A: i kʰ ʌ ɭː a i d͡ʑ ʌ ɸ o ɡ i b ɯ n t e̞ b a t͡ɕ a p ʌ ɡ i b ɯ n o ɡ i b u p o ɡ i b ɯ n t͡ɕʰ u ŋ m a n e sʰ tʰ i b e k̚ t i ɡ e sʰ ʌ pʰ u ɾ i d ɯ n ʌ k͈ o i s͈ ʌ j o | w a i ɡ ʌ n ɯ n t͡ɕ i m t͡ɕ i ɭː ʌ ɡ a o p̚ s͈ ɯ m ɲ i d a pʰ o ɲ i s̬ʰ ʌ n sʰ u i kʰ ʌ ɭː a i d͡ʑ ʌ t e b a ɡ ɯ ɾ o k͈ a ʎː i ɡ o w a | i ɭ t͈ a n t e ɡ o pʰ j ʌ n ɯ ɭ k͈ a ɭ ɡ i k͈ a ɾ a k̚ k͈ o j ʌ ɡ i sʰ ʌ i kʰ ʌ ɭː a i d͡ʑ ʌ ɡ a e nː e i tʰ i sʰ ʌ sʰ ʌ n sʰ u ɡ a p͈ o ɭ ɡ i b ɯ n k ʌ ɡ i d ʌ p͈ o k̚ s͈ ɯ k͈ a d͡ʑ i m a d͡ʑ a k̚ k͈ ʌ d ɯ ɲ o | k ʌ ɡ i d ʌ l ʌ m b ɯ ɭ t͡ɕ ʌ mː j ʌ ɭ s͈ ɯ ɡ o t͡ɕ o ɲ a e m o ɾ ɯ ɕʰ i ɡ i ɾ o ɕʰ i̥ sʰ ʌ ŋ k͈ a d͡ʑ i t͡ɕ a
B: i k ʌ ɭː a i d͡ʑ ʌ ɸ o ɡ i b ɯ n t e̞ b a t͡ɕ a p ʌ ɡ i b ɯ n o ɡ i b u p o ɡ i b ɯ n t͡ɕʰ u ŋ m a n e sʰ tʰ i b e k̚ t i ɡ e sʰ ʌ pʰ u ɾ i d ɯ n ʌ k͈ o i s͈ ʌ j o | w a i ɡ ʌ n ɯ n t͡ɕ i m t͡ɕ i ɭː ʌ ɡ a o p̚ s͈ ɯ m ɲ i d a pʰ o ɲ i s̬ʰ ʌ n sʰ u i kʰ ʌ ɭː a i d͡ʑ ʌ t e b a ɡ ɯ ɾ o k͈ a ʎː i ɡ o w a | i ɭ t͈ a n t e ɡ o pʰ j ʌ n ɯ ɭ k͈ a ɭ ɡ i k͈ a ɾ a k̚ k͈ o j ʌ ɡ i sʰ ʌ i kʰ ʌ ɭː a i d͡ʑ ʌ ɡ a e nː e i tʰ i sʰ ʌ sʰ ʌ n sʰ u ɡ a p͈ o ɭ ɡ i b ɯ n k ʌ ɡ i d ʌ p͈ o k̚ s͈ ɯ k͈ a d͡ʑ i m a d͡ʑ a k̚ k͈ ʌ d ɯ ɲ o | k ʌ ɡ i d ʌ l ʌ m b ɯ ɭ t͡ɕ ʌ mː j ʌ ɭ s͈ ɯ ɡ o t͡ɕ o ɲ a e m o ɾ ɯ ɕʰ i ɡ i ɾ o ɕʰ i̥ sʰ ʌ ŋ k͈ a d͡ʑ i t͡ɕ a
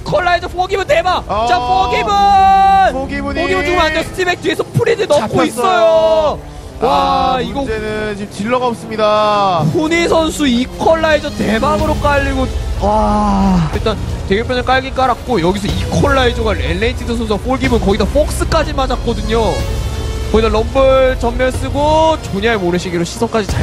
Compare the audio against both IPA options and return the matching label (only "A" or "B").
A